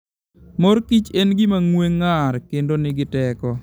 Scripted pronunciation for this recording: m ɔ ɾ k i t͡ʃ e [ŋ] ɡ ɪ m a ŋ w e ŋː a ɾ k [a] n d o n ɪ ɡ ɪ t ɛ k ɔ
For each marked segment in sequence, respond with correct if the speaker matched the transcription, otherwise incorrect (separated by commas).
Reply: incorrect, incorrect